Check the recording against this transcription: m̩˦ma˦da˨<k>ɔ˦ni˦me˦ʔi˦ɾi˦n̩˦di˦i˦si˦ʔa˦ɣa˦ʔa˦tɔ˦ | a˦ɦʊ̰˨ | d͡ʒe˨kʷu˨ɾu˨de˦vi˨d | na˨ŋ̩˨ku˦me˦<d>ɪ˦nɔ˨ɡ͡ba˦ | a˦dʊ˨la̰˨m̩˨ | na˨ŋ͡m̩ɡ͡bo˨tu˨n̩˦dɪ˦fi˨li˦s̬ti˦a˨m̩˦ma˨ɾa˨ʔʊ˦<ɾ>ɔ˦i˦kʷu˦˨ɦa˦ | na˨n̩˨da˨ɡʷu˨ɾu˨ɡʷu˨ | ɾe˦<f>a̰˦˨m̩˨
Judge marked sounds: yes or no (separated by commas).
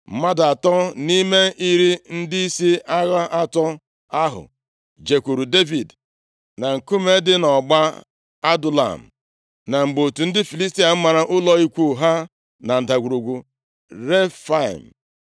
no, yes, no, yes